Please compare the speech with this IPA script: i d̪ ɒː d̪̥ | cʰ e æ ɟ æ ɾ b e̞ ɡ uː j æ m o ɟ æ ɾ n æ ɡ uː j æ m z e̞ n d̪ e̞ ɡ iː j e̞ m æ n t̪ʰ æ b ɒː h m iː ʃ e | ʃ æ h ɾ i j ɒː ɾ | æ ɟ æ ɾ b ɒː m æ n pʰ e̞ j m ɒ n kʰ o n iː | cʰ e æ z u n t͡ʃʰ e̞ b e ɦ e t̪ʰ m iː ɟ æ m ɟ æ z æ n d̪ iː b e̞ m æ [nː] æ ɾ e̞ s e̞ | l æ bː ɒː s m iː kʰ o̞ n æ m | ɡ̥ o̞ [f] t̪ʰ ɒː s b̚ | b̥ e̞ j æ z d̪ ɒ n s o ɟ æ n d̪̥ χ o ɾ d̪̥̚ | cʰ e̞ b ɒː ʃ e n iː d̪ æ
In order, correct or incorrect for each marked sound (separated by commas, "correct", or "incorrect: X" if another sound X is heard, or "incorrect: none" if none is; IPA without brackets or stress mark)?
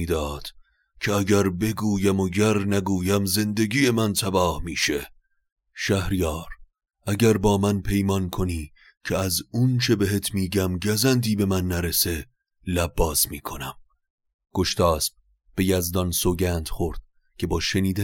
correct, incorrect: ʃ